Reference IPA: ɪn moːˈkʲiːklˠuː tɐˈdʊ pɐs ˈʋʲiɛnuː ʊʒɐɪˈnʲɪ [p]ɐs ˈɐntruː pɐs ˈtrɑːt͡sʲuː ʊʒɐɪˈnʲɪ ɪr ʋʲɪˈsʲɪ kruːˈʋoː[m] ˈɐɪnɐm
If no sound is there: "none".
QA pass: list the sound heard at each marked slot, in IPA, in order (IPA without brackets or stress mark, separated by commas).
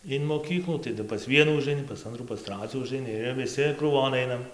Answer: p, n